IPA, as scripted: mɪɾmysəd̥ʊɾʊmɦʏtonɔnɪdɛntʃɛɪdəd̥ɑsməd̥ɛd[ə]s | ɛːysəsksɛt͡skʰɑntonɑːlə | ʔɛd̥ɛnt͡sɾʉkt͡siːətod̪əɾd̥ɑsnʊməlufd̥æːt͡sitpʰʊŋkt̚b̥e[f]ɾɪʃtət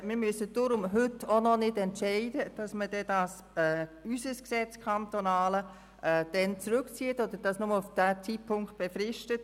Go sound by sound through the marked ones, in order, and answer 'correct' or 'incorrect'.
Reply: incorrect: ɑ, correct

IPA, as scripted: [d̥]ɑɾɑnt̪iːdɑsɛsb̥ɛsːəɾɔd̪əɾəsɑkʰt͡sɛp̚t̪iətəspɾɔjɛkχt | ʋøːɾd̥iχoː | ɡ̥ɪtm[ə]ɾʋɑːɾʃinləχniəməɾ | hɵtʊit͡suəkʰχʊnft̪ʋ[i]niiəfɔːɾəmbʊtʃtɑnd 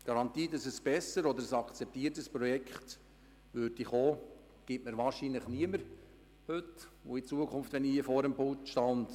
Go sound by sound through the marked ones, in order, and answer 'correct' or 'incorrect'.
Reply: incorrect: ɡ̥, correct, incorrect: ɛ

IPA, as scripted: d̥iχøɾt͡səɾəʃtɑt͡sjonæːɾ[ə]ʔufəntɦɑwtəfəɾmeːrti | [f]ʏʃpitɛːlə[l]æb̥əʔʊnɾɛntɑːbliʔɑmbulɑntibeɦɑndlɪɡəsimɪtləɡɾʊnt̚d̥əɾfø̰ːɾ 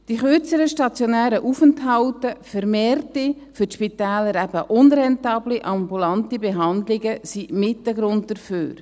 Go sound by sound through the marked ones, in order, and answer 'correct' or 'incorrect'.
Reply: correct, correct, incorrect: ɾ

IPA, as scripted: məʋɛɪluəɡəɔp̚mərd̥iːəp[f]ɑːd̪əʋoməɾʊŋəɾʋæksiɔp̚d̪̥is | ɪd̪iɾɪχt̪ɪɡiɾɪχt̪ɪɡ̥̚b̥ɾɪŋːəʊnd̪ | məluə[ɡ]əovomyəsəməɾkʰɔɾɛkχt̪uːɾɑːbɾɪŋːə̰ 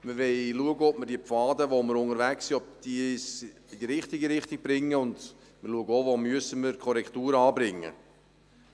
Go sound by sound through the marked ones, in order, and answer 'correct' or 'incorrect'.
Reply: correct, correct

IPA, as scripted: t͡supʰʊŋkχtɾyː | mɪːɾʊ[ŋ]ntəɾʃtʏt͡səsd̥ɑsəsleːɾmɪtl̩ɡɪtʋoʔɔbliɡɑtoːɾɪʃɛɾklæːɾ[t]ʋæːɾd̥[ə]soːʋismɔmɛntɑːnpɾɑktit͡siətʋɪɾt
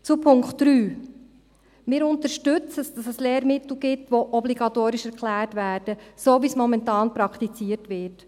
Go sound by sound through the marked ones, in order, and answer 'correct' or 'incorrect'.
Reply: incorrect: none, correct, correct

